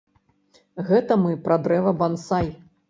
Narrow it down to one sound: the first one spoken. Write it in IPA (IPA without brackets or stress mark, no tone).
ɣ